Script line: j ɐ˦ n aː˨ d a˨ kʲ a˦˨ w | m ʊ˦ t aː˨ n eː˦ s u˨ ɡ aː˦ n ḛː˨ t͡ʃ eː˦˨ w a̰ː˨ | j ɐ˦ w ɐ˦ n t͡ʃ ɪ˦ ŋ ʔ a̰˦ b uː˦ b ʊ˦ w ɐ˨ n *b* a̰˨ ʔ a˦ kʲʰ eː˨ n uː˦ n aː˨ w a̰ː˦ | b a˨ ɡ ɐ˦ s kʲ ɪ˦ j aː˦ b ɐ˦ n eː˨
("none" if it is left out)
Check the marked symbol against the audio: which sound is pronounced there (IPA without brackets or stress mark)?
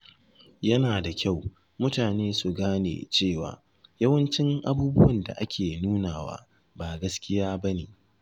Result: d